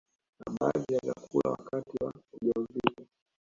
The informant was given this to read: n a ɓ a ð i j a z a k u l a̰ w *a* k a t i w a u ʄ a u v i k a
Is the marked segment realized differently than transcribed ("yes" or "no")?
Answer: no